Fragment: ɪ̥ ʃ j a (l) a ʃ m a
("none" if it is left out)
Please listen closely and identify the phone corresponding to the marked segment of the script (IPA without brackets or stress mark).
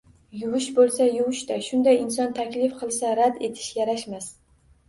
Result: ɾ